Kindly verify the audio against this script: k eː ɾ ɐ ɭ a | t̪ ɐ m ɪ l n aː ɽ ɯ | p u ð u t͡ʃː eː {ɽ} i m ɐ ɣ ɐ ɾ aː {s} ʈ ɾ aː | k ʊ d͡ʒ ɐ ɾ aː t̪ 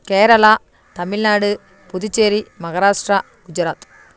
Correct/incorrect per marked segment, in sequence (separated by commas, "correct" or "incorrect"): incorrect, incorrect